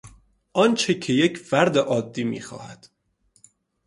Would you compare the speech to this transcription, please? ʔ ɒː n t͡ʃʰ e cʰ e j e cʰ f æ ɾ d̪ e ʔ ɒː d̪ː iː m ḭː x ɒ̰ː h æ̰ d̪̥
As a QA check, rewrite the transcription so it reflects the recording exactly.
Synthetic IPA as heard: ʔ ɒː n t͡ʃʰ e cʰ e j e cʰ f æ ɾ d̪ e ʔ ɒː d̪ː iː m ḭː x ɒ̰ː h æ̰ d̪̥

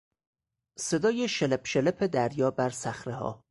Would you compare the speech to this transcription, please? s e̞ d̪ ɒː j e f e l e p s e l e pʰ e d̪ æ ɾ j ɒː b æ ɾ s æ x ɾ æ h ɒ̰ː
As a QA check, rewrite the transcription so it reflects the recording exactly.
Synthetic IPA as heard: s e̞ d̪ ɒː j e ʃ e l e p ʃ e l e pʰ e d̪ æ ɾ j ɒː b æ ɾ s æ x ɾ e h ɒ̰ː

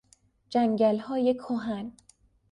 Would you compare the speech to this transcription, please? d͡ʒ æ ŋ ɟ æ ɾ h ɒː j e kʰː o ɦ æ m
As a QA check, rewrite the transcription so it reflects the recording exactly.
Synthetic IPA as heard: d͡ʒ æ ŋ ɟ æ l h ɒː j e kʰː o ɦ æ n

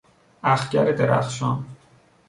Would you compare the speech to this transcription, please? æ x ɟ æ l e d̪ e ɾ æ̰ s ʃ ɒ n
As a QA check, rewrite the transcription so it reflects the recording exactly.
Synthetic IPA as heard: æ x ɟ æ ɾ e d̪ e ɾ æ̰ x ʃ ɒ n

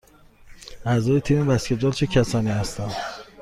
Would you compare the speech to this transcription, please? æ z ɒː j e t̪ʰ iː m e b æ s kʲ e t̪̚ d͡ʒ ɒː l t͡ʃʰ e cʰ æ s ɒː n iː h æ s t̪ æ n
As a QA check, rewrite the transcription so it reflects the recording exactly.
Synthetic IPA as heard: æ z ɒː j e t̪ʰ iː m e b æ s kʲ e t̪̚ d͡ʒ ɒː l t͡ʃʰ e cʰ æ s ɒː n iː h æ s t̪ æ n

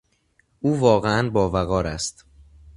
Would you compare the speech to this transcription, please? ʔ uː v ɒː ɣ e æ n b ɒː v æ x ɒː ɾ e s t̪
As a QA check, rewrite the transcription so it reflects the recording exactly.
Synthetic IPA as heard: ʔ uː v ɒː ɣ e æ n b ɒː v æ ɣ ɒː ɾ æ s t̪

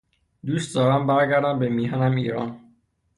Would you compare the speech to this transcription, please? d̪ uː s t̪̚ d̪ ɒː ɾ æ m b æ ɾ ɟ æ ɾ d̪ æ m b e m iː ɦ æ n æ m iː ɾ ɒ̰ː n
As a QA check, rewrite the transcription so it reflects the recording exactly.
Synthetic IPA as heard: d̪ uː s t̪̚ d̪ ɒː ɾ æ m b æ ɾ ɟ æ ɾ d̪ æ m b e m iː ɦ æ n æ m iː ɾ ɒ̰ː n

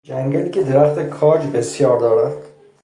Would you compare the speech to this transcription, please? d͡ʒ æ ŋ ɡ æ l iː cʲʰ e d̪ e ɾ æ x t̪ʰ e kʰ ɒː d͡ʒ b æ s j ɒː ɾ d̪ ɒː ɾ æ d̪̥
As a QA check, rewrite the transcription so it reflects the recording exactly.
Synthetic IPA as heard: d͡ʒ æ ŋ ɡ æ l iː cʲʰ e d̪ e ɾ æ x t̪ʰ e kʰ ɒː d͡ʒ b e s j ɒː ɾ d̪ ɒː ɾ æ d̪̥

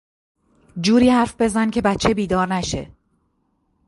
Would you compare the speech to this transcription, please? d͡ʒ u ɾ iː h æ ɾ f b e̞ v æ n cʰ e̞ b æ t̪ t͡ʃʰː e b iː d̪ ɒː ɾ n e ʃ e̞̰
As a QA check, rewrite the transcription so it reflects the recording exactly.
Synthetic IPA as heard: d͡ʒ uː ɾ iː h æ ɾ f b e̞ z æ n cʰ e̞ b æ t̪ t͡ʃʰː e b iː d̪ ɒː ɾ n æ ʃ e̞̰

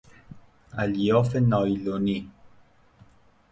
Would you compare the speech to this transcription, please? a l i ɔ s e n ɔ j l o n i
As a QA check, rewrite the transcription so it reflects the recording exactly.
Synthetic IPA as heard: a l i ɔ f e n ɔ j l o n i

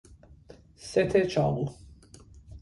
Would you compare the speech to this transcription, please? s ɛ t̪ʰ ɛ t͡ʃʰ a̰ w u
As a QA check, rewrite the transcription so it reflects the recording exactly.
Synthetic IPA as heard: s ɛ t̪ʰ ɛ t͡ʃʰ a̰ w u

